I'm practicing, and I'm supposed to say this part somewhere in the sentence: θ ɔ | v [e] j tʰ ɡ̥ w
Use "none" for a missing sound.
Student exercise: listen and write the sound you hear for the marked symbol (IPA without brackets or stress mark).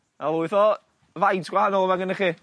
a